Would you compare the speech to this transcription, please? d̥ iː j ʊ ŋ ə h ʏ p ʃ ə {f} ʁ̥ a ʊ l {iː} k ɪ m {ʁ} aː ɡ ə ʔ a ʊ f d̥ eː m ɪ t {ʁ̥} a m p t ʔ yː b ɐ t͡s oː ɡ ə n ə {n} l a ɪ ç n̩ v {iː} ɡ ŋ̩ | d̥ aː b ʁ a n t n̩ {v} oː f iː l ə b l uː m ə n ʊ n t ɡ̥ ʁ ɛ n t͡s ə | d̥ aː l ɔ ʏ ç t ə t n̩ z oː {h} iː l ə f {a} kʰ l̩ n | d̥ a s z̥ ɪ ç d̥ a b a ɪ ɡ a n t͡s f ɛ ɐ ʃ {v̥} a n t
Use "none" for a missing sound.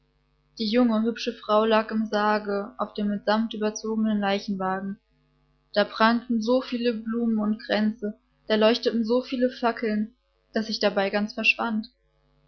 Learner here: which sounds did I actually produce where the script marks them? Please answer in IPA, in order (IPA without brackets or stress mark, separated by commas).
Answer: f, aː, z, z̥, n, aː, z, f, a, v̥